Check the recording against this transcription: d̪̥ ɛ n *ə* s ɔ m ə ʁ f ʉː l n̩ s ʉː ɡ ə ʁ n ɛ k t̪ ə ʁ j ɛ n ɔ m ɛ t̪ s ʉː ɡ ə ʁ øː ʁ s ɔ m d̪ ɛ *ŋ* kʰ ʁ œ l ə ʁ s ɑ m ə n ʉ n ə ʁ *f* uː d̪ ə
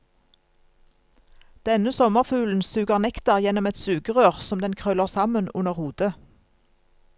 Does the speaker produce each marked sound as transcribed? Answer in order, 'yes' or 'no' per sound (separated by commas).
yes, no, no